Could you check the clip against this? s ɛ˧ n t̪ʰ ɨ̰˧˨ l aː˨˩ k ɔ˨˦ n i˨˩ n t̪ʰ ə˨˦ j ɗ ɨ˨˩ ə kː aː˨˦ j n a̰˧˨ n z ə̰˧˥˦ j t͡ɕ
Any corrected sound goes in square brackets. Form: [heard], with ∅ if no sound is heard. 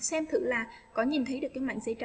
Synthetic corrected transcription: s ɛ˧ [m] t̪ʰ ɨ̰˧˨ l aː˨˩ k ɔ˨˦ [ɲ] i˨˩ n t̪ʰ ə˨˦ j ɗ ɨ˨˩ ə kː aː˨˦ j [m] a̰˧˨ [ŋ] z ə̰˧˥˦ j t͡ɕ